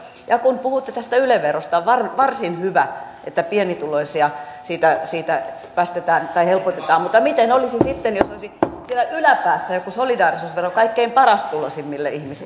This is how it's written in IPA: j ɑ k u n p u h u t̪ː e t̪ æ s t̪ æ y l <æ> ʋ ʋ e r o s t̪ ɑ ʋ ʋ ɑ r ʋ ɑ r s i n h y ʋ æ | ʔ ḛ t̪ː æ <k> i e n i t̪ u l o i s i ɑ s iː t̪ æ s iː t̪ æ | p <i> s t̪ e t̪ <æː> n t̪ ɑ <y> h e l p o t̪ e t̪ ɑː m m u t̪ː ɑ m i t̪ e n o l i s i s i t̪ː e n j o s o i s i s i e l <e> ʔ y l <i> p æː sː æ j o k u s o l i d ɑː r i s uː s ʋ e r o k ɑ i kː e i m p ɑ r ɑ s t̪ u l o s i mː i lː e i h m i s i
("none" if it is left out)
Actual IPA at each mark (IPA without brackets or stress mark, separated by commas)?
e, p, æ, æː, i, æ, æ